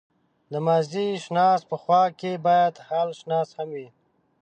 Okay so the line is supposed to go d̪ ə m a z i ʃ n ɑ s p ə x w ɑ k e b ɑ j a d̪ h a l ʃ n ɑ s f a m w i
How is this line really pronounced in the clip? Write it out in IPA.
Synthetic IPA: d̪ ə m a z i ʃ n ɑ s p ə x w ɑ k e b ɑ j a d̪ h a l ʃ n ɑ s h a m w i